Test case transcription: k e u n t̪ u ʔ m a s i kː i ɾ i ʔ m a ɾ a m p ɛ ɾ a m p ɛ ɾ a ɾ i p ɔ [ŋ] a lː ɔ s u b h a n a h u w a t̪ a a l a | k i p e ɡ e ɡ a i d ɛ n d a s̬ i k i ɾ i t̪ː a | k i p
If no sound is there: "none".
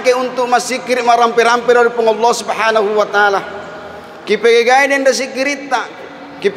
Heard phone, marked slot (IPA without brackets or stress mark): ŋ